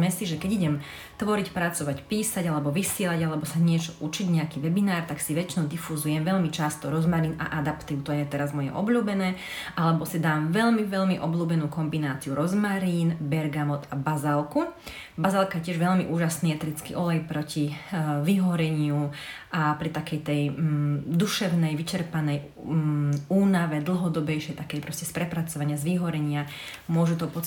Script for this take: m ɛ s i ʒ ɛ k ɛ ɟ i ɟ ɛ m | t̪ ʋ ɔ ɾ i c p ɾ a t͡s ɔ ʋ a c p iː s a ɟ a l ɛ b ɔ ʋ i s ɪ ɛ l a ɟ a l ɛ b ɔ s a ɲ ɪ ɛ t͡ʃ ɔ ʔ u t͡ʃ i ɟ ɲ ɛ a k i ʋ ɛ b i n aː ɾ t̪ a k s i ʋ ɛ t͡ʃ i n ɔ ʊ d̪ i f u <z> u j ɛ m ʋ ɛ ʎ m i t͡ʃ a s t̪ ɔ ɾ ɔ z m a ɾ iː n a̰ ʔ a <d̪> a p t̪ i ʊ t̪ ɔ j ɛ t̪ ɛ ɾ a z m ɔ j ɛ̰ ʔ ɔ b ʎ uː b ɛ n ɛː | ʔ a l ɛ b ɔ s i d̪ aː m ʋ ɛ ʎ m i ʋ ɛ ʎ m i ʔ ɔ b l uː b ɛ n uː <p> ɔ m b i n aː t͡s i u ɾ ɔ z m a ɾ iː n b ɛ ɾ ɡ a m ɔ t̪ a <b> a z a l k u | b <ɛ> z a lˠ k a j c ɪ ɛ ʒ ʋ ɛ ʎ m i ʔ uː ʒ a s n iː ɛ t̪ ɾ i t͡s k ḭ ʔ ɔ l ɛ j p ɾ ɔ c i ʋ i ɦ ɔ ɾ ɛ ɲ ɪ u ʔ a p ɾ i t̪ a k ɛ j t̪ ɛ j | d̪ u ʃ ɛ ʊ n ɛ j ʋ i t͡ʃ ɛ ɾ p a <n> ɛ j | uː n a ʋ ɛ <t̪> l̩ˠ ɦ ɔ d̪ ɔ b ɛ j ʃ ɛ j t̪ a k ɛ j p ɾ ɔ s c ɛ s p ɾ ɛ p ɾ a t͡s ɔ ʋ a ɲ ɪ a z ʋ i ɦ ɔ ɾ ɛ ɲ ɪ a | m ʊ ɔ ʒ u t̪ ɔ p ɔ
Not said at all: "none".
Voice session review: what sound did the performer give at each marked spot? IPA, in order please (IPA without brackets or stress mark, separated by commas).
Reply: z, d̪, k, b, a, n, d̪